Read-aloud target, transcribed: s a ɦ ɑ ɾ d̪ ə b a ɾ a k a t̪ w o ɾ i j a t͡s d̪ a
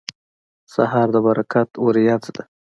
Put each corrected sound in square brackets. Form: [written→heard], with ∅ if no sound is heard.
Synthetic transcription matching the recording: s a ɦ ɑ ɾ d̪ ə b a ɾ a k a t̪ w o ɾ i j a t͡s d̪ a